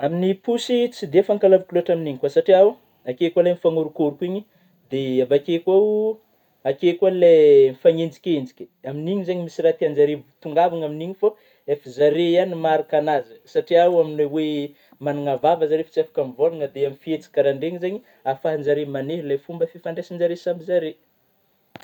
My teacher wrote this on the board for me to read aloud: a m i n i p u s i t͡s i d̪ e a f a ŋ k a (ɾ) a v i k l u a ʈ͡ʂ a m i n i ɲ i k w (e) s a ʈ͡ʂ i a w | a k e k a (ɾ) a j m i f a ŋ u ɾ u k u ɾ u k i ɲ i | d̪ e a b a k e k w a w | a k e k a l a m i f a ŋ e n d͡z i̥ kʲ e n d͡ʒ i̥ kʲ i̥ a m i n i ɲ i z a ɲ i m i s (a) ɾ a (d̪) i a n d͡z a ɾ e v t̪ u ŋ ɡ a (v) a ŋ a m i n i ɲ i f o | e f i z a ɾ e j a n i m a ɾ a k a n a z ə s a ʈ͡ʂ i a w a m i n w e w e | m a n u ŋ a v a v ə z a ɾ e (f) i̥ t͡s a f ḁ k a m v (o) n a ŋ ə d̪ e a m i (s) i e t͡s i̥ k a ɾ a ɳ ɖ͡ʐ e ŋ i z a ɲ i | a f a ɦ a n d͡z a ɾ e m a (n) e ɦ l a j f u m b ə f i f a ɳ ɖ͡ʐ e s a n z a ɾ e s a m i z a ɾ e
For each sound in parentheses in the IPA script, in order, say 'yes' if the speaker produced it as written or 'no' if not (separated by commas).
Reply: no, no, no, no, no, yes, yes, yes, no, yes